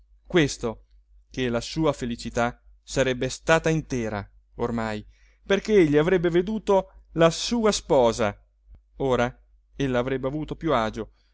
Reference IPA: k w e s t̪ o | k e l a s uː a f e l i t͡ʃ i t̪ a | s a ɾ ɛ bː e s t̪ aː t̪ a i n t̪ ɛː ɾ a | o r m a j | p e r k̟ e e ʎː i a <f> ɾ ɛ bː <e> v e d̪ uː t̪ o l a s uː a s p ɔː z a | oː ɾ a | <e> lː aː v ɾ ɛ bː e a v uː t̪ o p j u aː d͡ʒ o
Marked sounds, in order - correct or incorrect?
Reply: incorrect: v, correct, correct

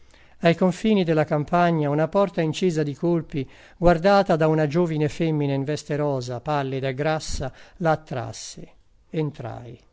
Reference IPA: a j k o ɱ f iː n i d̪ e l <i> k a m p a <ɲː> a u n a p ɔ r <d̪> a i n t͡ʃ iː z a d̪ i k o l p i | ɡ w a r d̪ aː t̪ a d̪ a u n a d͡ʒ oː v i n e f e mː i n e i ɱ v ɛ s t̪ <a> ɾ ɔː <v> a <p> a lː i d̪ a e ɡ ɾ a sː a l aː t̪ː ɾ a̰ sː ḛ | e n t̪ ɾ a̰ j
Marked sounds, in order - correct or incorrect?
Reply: incorrect: a, correct, incorrect: t̪, incorrect: e, incorrect: z, correct

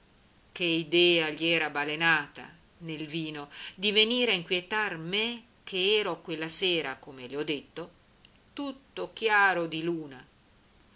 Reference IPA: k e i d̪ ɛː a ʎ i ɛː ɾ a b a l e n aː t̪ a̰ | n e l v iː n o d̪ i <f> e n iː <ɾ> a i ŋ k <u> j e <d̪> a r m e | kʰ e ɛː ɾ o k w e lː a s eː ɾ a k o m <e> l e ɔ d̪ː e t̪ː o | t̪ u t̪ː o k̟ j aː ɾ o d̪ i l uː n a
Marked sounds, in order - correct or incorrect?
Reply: incorrect: v, correct, incorrect: w, incorrect: t̪, correct

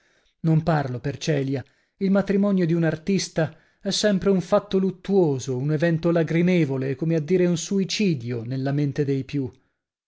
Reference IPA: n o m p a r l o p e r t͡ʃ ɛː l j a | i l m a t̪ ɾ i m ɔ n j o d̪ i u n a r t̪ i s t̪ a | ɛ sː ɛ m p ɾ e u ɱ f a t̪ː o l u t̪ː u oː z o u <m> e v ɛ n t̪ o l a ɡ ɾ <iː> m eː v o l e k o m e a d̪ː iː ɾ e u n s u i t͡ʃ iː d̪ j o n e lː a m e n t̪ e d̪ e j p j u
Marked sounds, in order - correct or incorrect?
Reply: incorrect: n, incorrect: i

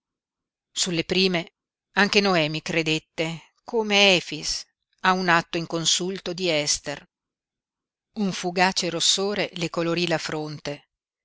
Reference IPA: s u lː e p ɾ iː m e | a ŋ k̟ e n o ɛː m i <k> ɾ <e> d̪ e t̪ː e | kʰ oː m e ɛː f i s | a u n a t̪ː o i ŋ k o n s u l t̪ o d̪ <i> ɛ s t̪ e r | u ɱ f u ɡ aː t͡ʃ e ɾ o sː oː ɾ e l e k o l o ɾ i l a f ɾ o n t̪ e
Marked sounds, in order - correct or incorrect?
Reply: correct, correct, correct

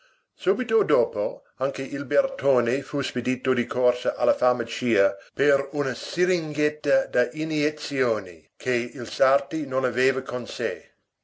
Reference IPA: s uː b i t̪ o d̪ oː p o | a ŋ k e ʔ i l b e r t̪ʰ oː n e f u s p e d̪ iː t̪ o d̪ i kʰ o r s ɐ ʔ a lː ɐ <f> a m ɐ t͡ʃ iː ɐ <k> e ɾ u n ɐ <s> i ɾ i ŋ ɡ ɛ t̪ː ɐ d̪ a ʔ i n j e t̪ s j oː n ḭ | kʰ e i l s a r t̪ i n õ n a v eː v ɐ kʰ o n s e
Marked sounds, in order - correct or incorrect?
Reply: correct, incorrect: p, correct

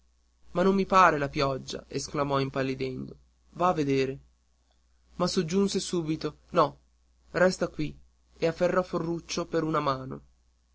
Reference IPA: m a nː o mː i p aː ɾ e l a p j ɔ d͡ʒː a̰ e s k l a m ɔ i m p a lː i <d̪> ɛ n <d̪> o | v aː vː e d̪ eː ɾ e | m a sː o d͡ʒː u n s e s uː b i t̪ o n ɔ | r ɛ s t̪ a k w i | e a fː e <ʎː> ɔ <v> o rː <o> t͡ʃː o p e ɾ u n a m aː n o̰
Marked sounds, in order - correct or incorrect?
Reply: correct, correct, incorrect: rː, incorrect: f, incorrect: u

